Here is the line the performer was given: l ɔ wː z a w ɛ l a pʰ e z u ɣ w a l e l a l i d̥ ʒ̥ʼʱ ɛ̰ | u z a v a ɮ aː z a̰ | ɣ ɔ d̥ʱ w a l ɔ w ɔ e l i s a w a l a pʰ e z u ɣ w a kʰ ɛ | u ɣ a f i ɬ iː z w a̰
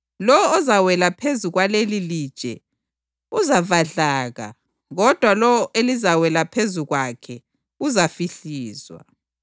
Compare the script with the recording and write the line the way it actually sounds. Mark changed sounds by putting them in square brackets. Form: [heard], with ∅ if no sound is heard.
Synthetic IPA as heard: l ɔ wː z a w ɛ l a pʰ e z u ɣ w a l e l [i] l i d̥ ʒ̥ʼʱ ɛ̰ | u z a v a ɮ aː [ɣ] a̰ | ɣ ɔ d̥ʱ w a l ɔ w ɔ e l i [z] a w [ɛ] l a pʰ e z u ɣ w a kʰ ɛ | u [z] a f i ɬ iː z w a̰